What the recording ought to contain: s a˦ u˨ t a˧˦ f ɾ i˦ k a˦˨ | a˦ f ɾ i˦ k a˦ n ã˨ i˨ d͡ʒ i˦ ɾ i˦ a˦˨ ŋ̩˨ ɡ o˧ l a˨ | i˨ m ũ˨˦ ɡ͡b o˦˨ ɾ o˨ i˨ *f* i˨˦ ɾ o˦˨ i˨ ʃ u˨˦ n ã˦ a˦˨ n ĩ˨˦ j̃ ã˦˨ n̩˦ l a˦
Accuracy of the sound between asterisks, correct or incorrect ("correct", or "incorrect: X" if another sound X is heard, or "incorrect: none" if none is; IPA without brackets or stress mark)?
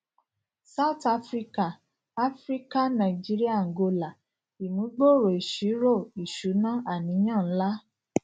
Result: incorrect: ʃ